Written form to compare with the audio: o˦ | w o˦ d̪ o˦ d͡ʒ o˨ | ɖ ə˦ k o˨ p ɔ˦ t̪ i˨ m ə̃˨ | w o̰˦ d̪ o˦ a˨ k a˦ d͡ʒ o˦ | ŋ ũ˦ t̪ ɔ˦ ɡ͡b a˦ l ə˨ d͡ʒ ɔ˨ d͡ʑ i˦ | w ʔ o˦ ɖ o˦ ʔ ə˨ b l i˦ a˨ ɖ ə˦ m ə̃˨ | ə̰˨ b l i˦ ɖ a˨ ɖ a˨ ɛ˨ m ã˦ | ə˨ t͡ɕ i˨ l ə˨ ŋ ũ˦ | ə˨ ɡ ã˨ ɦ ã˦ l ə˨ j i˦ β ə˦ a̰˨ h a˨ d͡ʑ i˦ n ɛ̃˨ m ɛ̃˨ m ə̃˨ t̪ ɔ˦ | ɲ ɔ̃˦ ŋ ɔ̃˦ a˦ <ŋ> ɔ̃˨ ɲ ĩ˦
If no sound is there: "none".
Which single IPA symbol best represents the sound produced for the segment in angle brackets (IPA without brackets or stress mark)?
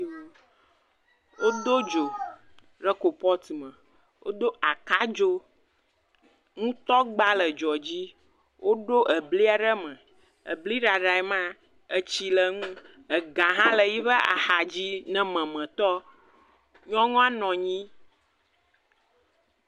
n